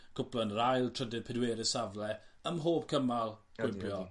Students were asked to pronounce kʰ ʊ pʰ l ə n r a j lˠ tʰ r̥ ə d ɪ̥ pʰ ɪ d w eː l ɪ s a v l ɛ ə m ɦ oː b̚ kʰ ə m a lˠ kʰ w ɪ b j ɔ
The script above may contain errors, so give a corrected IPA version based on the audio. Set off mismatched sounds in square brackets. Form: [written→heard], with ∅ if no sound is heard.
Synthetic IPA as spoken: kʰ ʊ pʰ l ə n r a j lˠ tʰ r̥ ə d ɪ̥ pʰ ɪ d w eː [l→ɾ] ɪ s a v l ɛ ə m ɦ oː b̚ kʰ ə m a lˠ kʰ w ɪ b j ɔ